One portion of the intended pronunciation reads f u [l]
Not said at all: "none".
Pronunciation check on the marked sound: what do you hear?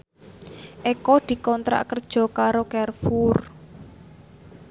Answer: r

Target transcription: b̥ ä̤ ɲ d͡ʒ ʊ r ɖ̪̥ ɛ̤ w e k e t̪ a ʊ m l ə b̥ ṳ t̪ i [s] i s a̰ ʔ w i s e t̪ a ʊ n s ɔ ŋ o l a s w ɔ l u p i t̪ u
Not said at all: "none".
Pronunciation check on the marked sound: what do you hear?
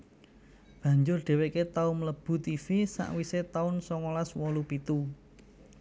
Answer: f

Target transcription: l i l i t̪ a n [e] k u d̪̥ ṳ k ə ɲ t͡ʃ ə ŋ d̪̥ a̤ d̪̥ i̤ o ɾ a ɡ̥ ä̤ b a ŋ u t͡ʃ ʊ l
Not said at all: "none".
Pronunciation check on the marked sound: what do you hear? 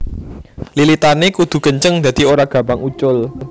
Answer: e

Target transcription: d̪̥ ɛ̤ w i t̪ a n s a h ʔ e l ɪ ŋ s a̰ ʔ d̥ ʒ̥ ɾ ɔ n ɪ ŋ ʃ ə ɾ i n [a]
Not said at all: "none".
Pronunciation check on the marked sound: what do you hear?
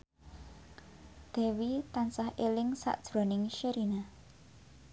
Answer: a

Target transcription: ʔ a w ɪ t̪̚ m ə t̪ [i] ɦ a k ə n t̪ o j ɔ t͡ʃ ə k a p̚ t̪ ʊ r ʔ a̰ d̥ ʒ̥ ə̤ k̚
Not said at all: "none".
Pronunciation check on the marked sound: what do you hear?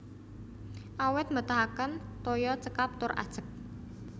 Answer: a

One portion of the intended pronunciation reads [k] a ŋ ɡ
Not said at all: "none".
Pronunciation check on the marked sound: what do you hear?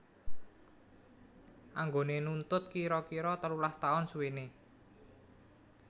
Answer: ʔ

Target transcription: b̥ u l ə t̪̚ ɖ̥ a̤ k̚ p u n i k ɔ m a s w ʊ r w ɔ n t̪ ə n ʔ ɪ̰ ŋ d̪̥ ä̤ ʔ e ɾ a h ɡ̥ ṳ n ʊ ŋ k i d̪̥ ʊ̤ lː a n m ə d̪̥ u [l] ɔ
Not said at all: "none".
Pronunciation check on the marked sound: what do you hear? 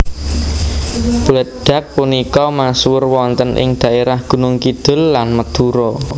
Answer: ɾ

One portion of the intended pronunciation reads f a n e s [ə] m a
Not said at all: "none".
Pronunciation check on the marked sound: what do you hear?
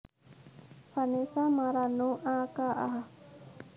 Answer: a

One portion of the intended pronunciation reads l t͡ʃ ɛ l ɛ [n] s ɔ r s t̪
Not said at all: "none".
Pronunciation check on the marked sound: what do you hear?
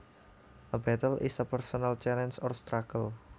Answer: n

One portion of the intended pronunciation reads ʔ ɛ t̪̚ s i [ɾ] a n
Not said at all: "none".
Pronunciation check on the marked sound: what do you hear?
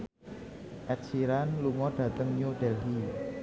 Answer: ɾ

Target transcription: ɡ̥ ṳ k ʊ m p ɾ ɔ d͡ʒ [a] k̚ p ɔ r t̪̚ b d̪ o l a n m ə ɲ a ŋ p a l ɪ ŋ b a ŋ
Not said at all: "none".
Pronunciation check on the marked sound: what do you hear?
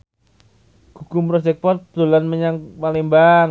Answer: ɛ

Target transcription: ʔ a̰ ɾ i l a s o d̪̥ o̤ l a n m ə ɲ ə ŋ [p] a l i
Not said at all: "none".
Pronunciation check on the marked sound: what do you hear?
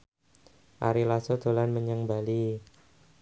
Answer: b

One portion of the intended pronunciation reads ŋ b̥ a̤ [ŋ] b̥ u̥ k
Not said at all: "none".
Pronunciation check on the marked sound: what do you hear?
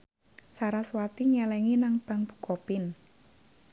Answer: ŋ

